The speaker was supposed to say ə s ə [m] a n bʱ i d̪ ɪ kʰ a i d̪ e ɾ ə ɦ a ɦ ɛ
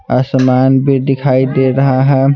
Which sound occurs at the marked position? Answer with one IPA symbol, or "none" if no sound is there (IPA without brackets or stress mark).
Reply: m